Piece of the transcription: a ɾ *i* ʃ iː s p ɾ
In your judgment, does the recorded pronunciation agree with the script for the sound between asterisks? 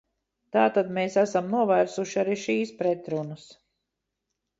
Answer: yes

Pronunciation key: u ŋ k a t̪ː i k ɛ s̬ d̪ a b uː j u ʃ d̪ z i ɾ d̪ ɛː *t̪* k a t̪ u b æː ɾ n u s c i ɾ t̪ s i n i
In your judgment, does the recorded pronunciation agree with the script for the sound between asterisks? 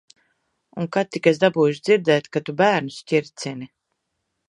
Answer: yes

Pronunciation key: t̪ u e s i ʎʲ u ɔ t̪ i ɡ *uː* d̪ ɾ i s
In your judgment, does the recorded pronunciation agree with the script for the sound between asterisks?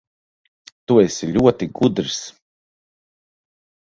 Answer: no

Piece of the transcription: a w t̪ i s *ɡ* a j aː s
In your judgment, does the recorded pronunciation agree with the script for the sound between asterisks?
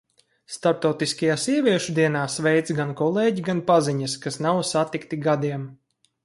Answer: no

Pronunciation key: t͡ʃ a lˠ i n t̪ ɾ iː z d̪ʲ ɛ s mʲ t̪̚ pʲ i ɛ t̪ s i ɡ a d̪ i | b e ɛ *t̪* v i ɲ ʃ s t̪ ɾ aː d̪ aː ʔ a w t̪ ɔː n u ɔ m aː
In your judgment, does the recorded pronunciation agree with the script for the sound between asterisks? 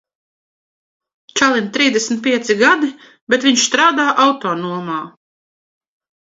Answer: yes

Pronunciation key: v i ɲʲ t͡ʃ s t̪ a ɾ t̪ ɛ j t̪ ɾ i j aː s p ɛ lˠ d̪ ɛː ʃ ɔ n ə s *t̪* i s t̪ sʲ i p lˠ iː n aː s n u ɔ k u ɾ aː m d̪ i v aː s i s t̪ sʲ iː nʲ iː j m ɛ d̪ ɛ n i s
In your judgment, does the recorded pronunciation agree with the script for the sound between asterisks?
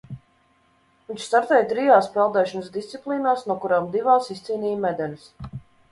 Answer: no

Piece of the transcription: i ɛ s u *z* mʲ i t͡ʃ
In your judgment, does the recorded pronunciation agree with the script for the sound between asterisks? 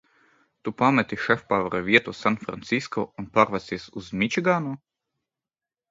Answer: yes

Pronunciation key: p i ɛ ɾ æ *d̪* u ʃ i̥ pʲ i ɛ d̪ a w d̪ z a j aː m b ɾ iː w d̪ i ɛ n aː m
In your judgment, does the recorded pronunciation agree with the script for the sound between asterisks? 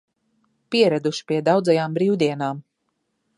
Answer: yes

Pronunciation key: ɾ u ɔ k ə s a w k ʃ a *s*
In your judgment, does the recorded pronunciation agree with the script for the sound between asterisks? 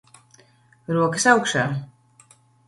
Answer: no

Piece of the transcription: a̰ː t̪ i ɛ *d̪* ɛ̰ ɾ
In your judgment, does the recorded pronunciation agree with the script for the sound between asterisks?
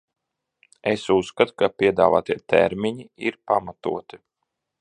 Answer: no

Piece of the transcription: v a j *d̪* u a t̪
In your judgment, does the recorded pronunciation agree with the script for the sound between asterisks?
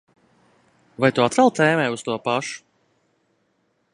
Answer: no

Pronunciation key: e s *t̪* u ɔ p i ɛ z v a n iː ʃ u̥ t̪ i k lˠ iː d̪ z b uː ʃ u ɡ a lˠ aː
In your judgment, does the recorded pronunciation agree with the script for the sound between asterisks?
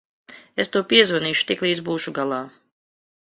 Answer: yes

